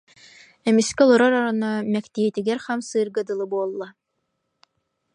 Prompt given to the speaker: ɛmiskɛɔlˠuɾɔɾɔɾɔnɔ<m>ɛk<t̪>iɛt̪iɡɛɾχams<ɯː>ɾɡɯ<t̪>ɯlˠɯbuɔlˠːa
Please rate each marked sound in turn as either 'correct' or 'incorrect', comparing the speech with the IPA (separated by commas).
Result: correct, correct, correct, incorrect